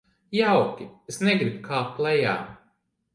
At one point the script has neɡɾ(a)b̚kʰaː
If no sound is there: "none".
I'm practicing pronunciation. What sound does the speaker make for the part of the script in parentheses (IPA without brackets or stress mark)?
i